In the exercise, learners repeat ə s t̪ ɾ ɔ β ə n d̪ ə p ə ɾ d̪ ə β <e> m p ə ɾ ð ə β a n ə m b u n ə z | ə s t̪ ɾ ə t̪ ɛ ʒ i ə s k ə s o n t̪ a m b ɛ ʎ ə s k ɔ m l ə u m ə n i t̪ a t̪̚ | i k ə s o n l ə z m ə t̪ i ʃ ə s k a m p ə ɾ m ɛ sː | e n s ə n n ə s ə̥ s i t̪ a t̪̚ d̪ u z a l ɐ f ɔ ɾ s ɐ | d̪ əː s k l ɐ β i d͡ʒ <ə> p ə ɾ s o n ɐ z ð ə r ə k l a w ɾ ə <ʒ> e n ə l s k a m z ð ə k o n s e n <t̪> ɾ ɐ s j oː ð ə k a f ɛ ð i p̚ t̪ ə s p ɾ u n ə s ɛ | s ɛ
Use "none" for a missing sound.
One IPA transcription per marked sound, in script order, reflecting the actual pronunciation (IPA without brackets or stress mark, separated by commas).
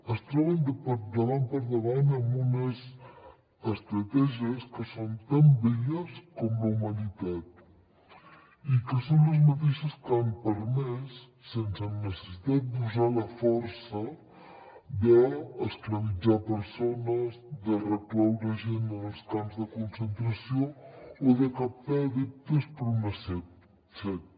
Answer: a, a, ʒ, t̪